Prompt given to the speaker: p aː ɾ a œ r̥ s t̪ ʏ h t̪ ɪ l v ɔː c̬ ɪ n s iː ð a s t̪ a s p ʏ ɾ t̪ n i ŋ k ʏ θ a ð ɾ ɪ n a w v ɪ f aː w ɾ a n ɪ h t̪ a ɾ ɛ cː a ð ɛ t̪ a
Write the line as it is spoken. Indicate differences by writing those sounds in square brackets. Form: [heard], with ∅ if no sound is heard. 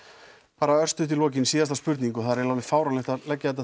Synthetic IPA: p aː ɾ a œ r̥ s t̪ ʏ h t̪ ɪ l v ɔː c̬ ɪ n s iː ð a s t̪ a s p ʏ ɾ t̪ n i ŋ k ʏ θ a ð ɾ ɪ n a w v ɪ f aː w ɾ a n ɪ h t̪ a [l] ɛ cː a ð ɛ t̪ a